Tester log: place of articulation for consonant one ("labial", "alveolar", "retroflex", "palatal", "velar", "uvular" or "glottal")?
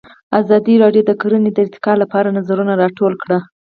alveolar